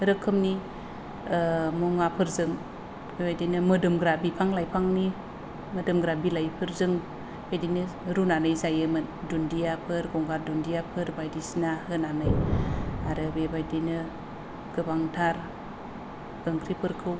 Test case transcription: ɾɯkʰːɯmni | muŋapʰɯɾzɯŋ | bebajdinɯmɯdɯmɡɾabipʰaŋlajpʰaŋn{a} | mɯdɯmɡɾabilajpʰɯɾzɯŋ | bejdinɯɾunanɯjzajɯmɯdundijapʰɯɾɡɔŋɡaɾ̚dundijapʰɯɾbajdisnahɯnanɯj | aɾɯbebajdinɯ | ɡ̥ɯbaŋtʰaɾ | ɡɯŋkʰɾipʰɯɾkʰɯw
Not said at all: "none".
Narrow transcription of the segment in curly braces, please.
i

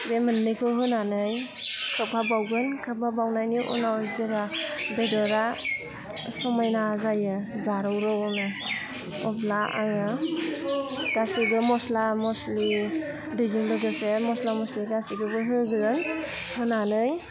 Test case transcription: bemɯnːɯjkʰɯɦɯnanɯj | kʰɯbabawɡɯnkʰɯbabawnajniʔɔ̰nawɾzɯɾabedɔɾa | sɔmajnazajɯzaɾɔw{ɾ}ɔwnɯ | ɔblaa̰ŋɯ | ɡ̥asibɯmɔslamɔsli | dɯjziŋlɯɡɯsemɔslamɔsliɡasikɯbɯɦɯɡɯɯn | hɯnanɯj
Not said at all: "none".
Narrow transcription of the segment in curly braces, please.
ɾ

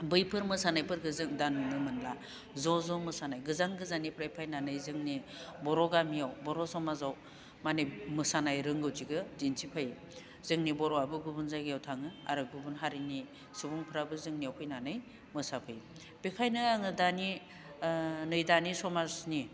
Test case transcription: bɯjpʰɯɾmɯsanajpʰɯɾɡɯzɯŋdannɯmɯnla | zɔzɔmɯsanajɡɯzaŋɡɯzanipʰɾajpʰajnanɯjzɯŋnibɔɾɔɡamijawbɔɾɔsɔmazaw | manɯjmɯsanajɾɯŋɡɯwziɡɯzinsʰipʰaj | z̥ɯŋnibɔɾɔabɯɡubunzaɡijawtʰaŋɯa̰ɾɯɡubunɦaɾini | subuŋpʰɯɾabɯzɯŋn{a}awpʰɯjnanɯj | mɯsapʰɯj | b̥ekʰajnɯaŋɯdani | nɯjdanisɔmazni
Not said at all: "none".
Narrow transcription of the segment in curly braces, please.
i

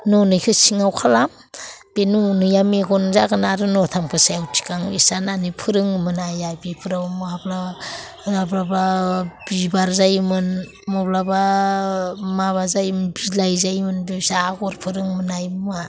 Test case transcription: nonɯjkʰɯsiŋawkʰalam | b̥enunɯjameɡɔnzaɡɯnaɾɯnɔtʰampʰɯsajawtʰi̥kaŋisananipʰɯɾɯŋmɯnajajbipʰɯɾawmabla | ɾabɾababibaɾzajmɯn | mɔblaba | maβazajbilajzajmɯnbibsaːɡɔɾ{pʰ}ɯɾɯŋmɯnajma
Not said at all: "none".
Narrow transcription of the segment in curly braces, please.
pʰ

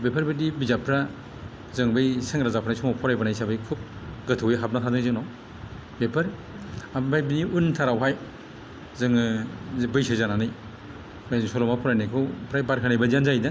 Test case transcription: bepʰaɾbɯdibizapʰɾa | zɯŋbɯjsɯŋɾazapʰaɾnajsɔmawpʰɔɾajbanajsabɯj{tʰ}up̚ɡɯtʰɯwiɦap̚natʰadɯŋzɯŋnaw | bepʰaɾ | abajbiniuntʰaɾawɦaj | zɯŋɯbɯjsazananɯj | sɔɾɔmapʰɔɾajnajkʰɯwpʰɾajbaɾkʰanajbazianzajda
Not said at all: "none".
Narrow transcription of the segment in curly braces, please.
kʰ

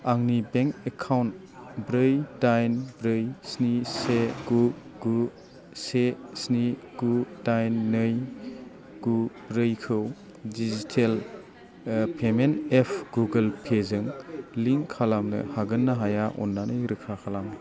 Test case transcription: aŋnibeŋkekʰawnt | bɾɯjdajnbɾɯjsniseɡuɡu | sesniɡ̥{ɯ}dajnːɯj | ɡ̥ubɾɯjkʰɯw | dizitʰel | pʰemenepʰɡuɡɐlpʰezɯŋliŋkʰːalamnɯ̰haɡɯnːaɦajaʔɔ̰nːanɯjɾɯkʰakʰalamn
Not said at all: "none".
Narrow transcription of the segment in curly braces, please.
u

